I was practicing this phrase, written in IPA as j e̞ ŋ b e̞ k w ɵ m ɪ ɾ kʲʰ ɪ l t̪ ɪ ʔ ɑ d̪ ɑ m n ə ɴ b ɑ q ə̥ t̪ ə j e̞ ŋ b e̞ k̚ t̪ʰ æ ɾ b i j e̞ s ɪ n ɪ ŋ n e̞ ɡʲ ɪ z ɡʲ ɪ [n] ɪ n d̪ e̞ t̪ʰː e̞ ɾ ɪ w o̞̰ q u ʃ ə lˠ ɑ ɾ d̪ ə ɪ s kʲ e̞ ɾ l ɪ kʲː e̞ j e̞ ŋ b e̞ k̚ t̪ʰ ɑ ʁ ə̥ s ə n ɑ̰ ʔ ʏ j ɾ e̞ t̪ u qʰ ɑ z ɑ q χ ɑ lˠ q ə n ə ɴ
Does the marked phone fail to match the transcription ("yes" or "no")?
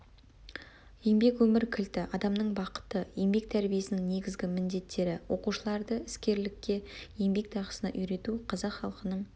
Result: yes